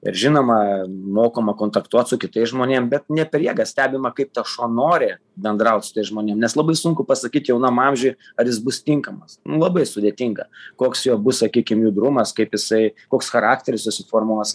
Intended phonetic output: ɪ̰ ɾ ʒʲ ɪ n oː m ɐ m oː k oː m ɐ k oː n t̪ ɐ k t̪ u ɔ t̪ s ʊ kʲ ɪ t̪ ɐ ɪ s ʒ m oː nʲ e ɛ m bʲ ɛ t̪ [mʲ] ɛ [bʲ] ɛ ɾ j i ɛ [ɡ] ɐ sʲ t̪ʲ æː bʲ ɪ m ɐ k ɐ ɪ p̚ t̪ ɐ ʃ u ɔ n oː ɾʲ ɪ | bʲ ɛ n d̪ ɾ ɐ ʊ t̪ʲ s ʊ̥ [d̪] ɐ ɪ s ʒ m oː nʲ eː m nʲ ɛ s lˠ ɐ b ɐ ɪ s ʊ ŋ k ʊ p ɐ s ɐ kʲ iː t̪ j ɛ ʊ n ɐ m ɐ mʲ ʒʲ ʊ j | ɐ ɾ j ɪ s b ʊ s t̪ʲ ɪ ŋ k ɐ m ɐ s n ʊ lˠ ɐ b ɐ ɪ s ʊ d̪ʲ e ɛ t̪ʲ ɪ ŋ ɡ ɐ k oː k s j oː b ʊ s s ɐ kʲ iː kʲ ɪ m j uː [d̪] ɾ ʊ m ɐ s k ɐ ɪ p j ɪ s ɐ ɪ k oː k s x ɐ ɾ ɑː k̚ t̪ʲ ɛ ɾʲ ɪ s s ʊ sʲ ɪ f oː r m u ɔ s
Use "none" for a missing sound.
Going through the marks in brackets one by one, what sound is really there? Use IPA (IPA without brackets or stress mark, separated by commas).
nʲ, pʲ, ɡ, t̪, d̪